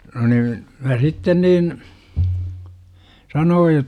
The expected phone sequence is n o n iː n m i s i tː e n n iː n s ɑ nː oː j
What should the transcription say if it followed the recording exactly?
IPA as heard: n o n iː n m æ s i tː e n n iː n s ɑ n oː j